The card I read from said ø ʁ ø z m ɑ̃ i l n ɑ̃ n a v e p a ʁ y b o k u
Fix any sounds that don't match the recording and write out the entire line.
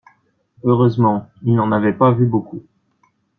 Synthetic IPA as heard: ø ʁ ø z m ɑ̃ i l n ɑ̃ n a v ɛ p a v y b o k u